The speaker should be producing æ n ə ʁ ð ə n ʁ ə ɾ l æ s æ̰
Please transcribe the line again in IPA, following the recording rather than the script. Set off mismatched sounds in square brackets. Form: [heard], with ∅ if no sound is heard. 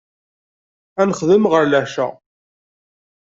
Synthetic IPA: æ n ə [χ] ð ə [m] ʁ ə ɾ l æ [ʃ] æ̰